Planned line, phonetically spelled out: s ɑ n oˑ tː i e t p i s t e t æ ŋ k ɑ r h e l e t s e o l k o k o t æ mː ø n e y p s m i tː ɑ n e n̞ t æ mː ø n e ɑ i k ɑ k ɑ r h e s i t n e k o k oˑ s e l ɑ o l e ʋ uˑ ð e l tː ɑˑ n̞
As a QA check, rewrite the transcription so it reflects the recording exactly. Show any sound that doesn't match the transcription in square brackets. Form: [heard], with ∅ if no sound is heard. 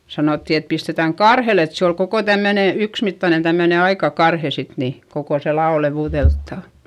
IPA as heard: s ɑ n oˑ tː i e t p i s t e t æ ŋ k ɑ r h e l e t s e o l k o k o t æ mː ø n e y [k] s m i tː ɑ n e n̞ t æ mː ø n e ɑ i k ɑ k ɑ r h e s i t n [i] k o k oˑ s e l ɑ o l e ʋ uˑ ð e l tː ɑˑ n̞